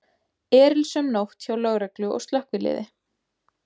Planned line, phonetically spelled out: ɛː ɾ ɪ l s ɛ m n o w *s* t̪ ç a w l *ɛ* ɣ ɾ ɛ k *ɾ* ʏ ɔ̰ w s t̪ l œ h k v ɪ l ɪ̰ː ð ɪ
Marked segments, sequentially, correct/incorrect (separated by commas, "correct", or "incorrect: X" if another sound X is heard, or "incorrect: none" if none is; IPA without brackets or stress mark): incorrect: h, incorrect: œ, incorrect: l